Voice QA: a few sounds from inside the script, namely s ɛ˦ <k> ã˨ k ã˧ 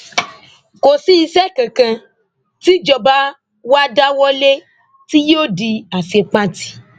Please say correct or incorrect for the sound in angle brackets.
correct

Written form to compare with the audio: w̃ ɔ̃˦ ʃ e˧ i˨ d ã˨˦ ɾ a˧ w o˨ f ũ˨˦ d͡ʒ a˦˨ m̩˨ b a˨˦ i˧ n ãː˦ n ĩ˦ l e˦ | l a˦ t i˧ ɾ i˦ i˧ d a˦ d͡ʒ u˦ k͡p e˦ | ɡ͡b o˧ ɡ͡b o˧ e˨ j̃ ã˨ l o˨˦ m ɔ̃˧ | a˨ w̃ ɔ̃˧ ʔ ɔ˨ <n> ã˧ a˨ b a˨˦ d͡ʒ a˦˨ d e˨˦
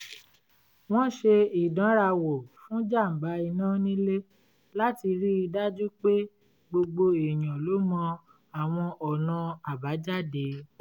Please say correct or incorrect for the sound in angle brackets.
correct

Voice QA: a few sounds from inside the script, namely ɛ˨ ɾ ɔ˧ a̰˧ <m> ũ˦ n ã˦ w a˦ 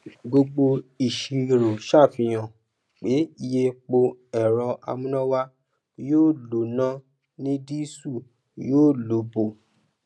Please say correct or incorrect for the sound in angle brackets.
correct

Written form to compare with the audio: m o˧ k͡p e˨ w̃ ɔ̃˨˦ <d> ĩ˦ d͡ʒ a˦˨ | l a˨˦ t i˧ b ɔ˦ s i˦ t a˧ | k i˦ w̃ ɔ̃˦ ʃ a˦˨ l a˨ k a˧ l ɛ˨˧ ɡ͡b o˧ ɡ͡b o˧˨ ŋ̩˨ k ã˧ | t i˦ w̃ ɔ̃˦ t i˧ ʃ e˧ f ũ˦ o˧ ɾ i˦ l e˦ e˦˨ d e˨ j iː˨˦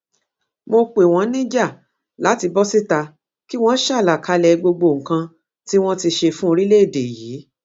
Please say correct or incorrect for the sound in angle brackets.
incorrect: n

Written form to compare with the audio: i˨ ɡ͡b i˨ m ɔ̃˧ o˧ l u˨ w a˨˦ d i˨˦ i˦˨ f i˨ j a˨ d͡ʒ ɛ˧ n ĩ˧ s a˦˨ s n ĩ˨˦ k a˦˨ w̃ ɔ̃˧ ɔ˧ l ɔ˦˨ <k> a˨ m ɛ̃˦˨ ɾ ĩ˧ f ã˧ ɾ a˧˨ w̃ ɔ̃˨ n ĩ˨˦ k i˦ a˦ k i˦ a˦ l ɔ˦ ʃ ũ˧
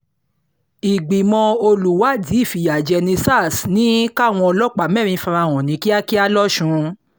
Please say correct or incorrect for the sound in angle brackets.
incorrect: k͡p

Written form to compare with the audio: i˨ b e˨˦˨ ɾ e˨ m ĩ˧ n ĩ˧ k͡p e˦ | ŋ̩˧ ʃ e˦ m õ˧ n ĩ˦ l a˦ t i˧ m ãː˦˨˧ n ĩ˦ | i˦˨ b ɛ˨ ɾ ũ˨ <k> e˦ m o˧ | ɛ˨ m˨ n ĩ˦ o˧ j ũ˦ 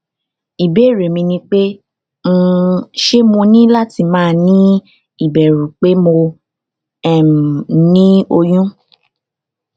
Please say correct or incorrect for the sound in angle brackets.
incorrect: k͡p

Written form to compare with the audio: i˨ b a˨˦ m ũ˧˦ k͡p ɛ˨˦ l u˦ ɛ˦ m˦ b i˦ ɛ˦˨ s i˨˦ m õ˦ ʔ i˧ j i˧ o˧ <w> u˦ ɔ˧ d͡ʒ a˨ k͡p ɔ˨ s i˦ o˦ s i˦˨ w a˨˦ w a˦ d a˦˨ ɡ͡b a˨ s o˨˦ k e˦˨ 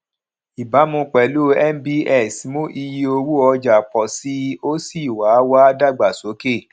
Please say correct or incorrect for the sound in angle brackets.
correct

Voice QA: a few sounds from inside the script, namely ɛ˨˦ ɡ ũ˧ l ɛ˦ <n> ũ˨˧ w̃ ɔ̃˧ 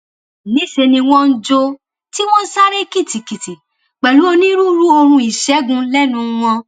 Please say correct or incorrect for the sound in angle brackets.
correct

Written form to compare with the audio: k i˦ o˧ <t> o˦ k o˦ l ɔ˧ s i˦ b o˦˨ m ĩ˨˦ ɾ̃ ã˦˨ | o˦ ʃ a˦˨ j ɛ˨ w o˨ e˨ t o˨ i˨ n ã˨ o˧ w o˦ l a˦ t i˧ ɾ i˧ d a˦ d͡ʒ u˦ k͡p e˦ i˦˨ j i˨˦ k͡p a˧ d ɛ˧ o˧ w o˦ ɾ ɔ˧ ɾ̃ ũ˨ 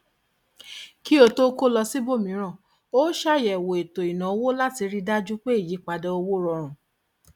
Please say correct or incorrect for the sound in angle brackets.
correct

